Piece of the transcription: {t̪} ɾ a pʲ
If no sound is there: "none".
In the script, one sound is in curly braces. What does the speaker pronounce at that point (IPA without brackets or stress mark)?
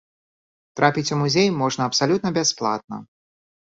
t̪